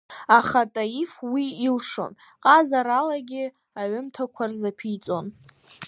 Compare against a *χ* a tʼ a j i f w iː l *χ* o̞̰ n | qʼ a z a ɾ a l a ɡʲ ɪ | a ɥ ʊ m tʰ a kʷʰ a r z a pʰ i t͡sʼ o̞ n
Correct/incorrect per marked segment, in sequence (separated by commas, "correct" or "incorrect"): correct, incorrect